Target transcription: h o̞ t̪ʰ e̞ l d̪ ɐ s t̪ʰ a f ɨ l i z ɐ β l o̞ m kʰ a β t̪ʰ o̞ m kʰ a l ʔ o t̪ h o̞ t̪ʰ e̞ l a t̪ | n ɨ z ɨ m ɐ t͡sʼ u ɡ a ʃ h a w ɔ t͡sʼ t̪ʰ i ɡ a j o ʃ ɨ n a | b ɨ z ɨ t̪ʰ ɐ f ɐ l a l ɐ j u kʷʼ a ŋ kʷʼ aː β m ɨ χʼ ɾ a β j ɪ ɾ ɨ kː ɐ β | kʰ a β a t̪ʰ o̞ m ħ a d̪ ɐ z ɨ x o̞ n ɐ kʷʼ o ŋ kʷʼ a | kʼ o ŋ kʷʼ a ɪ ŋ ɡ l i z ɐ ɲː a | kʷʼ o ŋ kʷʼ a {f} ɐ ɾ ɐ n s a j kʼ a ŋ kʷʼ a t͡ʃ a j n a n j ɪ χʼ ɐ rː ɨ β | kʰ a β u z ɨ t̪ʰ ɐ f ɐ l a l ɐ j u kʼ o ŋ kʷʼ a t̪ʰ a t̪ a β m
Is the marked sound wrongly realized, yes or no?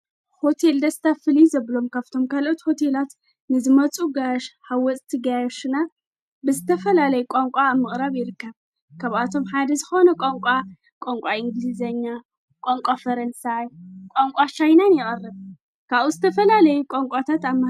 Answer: no